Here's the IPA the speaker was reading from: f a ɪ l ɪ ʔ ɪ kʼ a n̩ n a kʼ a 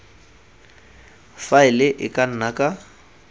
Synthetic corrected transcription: f a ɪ l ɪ ʔ ɪ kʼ a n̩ n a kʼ a